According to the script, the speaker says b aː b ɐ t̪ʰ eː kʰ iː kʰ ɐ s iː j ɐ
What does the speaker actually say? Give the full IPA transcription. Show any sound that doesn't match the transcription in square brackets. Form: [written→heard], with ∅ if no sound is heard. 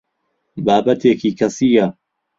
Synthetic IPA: b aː b ɐ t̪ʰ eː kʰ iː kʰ ɐ s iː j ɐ

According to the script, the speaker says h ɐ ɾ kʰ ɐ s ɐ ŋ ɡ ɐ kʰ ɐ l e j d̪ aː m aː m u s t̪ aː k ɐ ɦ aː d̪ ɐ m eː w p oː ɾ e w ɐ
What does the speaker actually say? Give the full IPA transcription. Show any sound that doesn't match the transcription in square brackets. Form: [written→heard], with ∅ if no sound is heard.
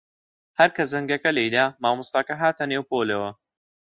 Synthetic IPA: h ɐ ɾ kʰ ɐ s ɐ ŋ ɡ ɐ [kʰ→k] ɐ l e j d̪ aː m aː m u s t̪ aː k ɐ ɦ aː [d̪→t̪] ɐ [m→n] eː w p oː [ɾ→l] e w ɐ

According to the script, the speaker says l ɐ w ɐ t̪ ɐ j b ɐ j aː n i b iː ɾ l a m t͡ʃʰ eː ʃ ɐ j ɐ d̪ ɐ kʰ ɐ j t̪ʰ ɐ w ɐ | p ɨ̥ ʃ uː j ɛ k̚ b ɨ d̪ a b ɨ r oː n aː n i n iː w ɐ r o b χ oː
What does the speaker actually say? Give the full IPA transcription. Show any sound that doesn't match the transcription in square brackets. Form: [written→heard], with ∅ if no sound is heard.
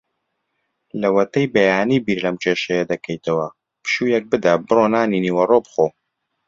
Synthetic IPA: l ɐ w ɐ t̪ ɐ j b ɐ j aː n i b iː ɾ l [a→ɐ] m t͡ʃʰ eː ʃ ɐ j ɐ d̪ ɐ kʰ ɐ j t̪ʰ ɐ w ɐ | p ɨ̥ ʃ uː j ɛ k̚ b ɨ d̪ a b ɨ r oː n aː n i n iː w ɐ r o b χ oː

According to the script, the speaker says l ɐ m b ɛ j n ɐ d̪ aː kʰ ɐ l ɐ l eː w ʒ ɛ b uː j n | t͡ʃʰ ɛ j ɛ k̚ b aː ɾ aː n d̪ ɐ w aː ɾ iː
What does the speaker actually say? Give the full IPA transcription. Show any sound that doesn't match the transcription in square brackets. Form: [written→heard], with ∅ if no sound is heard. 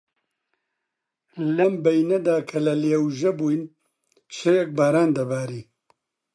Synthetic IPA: l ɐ m b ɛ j n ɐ d̪ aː kʰ ɐ l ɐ l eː w ʒ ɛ b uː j n | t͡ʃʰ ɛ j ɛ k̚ b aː ɾ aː n d̪ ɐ [w→b] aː ɾ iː

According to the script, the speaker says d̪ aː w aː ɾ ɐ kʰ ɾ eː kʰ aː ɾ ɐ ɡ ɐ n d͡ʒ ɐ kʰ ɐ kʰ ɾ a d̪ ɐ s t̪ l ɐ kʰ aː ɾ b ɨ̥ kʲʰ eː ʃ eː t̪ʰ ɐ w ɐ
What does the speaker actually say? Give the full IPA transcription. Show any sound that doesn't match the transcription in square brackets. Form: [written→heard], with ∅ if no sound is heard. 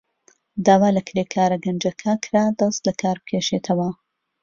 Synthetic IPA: d̪ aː w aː [ɾ→l] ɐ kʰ ɾ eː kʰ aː ɾ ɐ ɡ ɐ n d͡ʒ ɐ kʰ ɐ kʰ ɾ a d̪ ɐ s t̪ l ɐ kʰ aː ɾ b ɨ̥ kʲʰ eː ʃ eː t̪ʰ ɐ w ɐ

